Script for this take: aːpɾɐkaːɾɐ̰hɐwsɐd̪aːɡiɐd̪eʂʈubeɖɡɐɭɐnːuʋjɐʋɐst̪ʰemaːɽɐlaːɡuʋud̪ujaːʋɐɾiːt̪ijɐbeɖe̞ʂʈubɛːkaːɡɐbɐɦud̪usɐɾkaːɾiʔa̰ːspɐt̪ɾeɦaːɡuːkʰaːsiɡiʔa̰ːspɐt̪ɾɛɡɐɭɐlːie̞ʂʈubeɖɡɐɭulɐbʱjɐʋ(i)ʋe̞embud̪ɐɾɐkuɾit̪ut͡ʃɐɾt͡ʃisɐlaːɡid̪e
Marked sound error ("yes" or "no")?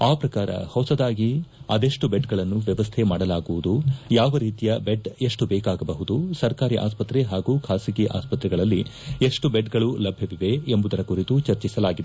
no